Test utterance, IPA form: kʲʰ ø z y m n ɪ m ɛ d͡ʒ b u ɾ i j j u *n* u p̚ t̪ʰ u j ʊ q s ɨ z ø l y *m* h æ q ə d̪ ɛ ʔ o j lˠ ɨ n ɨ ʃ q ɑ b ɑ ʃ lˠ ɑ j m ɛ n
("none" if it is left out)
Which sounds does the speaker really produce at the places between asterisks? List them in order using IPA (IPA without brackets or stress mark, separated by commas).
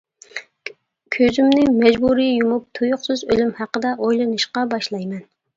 m, m